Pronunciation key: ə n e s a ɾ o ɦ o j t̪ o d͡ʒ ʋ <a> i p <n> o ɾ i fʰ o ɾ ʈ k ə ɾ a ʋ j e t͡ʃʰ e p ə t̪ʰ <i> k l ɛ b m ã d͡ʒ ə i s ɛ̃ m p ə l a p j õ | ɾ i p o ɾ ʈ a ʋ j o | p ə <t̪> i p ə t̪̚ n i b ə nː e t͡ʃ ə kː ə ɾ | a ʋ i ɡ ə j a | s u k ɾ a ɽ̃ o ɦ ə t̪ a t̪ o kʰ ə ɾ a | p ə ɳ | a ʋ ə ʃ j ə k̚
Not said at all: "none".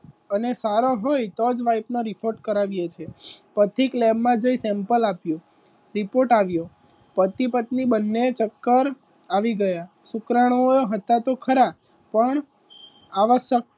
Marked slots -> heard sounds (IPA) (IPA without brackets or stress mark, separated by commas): a, n, i, t̪